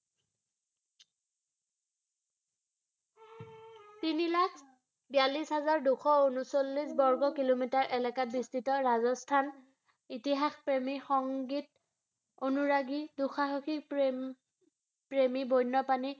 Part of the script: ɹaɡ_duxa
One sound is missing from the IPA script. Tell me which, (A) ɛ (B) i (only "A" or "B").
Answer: B